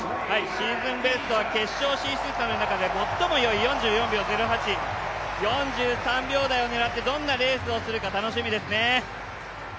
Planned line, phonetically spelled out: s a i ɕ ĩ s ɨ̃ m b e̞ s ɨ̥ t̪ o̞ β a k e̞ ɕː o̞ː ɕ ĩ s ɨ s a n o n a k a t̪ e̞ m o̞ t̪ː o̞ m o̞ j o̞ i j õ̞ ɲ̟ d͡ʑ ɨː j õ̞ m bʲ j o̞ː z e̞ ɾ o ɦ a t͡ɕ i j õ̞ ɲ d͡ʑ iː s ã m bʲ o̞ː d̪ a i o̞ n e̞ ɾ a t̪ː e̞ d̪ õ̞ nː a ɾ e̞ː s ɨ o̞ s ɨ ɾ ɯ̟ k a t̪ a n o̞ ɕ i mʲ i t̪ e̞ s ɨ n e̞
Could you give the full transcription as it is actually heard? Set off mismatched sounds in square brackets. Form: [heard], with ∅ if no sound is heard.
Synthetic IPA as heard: [h] a i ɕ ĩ [z] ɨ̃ m b e̞ s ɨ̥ t̪ o̞ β a k e̞ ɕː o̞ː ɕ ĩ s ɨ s a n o n a k a [d̪] e̞ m o̞ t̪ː o̞ m o̞ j o̞ i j õ̞ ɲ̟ d͡ʑ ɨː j õ̞ m bʲ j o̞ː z e̞ ɾ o ɦ a t͡ɕ i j õ̞ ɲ d͡ʑ [ɨː] s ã m bʲ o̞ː d̪ a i o̞ n e̞ ɾ a t̪ː e̞ d̪ õ̞ nː a ɾ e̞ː s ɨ o̞ s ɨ ɾ ɯ̟ k a t̪ a n o̞ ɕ i mʲ i [d̪] e̞ s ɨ n e̞